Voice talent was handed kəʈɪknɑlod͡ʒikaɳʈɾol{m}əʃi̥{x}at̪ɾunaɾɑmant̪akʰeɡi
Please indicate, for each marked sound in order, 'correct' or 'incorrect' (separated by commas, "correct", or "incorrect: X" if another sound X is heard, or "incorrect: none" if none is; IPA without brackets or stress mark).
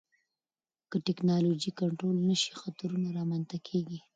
incorrect: n, correct